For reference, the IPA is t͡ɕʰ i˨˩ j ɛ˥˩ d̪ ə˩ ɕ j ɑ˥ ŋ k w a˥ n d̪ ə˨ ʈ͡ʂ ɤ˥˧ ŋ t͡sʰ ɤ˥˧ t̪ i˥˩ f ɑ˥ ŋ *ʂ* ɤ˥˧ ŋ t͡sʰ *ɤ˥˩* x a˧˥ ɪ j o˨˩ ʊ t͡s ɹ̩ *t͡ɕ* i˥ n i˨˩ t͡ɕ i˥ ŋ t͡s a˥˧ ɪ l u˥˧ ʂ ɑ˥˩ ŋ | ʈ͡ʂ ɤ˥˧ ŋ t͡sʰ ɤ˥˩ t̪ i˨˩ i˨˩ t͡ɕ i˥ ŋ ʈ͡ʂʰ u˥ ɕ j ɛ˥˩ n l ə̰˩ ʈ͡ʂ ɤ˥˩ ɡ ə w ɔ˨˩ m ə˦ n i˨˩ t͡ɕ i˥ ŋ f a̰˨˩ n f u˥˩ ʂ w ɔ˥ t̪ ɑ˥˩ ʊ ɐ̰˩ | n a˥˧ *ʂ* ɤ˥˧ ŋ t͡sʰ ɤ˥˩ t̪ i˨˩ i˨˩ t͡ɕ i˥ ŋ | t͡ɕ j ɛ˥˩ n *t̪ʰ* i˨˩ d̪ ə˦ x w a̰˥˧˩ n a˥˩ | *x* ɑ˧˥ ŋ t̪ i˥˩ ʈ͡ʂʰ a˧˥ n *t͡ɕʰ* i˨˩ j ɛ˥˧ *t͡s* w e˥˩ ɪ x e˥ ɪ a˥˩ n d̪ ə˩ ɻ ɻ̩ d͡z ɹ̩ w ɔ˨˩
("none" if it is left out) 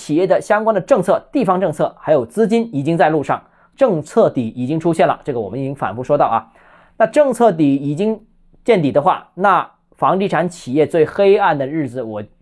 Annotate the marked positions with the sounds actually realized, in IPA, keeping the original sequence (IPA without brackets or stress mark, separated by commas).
ʈ͡ʂ, ɤ˥˩, t͡ɕ, ʈ͡ʂ, t̪, f, t͡ɕʰ, t͡s